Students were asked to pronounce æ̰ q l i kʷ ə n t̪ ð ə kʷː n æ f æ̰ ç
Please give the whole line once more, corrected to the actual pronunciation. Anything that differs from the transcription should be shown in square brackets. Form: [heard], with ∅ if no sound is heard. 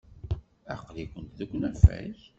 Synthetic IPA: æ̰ q l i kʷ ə n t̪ ð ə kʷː n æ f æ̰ ç